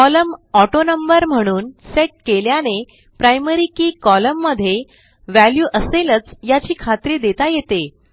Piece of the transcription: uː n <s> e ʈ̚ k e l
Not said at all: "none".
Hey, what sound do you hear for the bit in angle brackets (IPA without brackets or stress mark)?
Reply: s